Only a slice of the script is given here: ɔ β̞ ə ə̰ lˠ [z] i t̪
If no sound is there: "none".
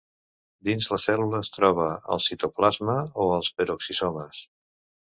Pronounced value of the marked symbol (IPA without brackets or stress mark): s